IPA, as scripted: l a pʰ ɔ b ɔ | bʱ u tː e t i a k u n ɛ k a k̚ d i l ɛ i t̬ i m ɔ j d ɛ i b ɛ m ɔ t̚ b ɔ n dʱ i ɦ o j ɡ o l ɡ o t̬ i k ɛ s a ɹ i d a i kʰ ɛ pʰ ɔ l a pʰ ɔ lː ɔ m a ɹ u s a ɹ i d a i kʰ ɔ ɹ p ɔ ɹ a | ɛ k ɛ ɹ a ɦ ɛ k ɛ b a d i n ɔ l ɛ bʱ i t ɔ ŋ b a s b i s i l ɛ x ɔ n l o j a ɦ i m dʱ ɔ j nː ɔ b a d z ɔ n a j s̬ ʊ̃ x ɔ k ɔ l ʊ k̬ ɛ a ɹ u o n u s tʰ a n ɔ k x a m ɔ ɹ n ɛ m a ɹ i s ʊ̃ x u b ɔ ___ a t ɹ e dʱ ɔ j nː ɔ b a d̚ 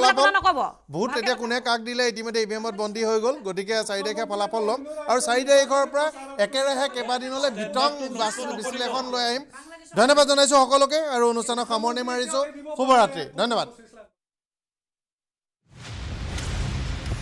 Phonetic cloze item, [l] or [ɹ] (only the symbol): ɹ